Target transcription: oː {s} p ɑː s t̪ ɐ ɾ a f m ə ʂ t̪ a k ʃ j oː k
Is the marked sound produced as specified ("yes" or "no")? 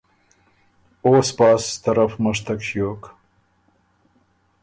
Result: yes